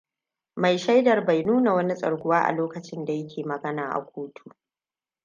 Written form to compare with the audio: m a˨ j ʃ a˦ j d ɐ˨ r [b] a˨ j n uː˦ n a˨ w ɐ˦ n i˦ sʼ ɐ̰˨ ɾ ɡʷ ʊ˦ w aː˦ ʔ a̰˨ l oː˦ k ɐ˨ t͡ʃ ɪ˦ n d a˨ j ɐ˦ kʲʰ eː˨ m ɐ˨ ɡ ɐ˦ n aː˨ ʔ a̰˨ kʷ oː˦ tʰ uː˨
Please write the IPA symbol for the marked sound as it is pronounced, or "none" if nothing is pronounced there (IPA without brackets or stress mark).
b